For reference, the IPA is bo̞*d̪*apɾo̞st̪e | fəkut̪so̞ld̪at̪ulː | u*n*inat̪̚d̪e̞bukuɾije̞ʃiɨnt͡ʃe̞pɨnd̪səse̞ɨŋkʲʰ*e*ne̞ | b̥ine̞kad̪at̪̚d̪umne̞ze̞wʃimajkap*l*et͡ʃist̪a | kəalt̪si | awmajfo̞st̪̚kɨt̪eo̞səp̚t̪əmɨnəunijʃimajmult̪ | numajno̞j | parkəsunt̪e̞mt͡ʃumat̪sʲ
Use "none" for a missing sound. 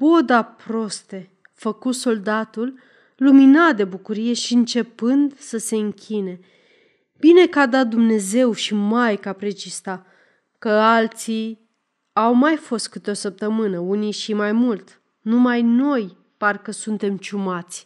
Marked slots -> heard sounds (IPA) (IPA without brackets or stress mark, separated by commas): d̪, m, i, ɾ